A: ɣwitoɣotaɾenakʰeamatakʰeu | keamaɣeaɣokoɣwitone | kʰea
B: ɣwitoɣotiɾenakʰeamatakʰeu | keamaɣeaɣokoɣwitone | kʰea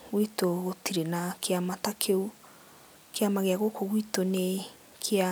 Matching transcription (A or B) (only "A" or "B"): B